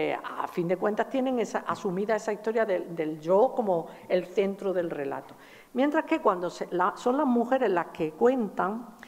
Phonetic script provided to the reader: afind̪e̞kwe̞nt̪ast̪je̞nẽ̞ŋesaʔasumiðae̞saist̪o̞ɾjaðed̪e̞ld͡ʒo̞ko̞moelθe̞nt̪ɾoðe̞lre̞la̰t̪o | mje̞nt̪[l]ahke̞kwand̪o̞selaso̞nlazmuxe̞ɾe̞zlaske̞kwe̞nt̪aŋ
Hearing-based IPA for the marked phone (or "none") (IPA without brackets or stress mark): ɾ